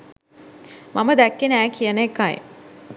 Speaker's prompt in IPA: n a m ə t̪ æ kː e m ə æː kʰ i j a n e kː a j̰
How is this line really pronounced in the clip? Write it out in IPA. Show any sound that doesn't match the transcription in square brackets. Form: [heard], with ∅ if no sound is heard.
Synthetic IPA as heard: [m] a m ə [d̪] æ kː e [n] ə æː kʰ i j [ə] n e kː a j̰

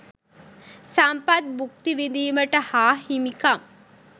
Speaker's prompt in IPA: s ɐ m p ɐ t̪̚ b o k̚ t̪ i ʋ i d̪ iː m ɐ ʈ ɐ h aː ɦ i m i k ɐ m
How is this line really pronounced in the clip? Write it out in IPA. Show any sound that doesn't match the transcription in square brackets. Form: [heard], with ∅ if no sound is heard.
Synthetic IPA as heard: s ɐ m p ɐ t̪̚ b [u] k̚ t̪ i ʋ i d̪ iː m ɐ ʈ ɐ h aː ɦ i m i k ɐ m

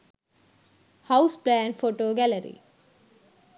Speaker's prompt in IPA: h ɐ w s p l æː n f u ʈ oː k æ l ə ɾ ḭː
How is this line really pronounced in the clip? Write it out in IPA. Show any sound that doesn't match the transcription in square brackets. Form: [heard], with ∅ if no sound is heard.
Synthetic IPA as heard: h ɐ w s p l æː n f [o] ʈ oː [ɡ] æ l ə ɾ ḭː

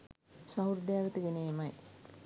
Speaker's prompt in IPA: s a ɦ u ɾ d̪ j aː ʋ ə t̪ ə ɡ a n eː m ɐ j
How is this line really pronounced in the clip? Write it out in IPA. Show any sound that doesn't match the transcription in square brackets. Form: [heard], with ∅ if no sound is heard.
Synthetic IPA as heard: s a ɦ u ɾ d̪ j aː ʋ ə t̪ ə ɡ [e] n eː m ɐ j

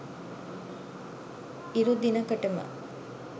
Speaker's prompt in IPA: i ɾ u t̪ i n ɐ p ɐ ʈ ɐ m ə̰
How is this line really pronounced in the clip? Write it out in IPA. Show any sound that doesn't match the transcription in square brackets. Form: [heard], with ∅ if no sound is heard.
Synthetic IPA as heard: i ɾ u [d̪] i n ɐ [k] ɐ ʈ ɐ m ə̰

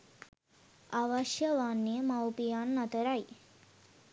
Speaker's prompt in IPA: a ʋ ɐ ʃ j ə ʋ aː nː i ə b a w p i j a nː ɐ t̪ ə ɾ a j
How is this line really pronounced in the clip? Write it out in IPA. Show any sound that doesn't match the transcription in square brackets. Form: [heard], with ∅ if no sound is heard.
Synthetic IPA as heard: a ʋ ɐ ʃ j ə ʋ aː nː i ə [m] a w p i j a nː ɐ t̪ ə ɾ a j

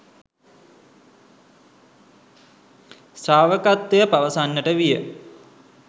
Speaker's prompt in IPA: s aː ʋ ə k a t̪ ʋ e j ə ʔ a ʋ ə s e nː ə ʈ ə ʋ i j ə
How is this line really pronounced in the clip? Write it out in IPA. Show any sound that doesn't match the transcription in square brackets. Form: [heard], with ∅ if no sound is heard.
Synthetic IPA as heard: s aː ʋ ə k a t̪ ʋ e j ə [p] a ʋ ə s [a] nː ə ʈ ə ʋ i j ə

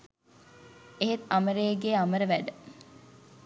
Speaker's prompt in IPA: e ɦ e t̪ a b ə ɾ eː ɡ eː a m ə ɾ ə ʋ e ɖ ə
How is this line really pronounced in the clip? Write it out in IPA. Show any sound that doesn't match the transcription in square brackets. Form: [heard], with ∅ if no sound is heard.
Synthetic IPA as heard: e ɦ e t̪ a [m] ə ɾ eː ɡ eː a m ə ɾ ə ʋ [æ] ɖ ə

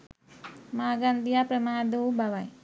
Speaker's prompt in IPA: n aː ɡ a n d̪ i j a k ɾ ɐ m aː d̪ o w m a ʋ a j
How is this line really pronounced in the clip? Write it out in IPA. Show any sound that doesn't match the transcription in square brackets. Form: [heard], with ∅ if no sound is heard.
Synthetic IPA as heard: [m] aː ɡ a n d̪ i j a [p] ɾ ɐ m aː d̪ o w [b] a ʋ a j

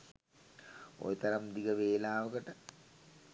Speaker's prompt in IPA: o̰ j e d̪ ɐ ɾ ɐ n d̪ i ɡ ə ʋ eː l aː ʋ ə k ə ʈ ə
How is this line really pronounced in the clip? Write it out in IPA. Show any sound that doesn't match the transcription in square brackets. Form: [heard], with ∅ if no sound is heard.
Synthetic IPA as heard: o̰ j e [t̪] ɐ ɾ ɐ [m] d̪ i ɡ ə ʋ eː l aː ʋ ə k ə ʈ ə

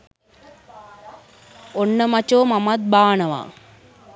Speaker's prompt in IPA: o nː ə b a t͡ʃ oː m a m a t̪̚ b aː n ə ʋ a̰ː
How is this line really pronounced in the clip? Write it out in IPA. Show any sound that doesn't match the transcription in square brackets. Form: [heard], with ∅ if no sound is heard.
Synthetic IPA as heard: o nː ə [m] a t͡ʃ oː m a m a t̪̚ b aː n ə ʋ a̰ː

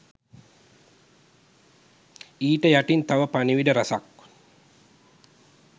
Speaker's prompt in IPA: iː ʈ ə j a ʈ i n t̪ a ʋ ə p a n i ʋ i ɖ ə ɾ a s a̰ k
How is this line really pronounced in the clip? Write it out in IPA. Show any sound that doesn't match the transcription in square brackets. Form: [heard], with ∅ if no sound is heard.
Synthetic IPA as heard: iː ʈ ə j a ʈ i n t̪ a ʋ ə p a n i ʋ i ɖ ə ɾ a s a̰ k

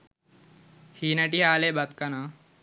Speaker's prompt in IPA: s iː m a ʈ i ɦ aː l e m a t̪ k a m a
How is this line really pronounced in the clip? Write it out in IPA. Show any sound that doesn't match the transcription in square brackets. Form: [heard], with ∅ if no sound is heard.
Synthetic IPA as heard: [h] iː [n] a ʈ i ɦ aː l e [b] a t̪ k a [n] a

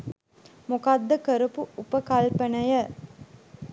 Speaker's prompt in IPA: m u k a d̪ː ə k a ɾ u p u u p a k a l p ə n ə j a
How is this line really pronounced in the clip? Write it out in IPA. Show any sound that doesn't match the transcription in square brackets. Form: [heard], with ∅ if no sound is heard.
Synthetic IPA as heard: m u k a d̪ː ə k [ə] ɾ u p u u p [ə] k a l p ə n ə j [ə]

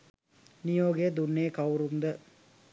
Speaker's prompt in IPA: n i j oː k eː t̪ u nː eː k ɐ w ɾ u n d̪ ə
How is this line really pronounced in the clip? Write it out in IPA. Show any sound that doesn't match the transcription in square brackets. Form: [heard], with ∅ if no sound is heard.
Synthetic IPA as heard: n i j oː [ɡ] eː [d̪] u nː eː k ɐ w ɾ u n d̪ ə

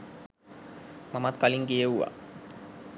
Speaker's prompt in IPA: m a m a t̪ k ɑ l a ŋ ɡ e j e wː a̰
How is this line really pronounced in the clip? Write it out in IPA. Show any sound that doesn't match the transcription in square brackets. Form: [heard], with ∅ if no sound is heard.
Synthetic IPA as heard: m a m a t̪ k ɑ l [i] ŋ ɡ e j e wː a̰

